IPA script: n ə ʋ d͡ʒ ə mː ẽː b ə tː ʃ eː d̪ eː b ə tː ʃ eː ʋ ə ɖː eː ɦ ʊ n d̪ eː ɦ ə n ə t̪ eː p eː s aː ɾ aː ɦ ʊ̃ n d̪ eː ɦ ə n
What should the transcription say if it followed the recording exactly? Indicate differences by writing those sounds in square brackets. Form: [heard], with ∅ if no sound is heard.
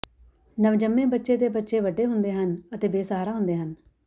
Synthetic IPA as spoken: n ə ʋ d͡ʒ ə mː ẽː b ə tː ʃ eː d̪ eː b ə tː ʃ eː ʋ ə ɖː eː ɦ ʊ n d̪ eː ɦ ə n ə t̪ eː [b] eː s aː ɾ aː ɦ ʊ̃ n d̪ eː ɦ ə n